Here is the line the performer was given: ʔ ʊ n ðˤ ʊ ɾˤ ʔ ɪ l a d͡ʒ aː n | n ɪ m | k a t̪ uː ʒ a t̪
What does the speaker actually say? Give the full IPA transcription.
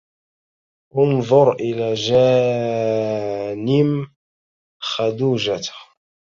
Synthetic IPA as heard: ʔ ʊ n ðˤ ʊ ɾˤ ʔ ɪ l a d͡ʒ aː | n ɪ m | x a d̪ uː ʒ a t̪